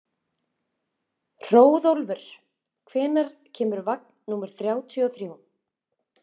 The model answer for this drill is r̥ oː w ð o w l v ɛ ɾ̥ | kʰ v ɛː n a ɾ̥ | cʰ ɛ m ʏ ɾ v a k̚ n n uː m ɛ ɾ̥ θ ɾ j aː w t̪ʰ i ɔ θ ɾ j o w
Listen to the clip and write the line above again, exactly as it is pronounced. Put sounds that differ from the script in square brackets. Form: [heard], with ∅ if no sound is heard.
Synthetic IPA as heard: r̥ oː w ð o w l v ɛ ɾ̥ | kʰ v ɛː n a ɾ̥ | cʰ [ɛː] m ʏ ɾ v a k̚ n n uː m ɛ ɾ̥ θ ɾ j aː w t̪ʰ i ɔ θ ɾ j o w